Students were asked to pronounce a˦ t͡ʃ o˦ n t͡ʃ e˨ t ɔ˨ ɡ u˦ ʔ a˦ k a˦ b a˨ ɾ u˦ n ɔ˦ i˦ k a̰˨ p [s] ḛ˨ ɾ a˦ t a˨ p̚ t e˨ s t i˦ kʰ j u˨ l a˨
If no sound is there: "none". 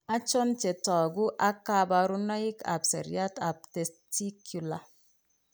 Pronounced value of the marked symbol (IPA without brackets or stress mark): s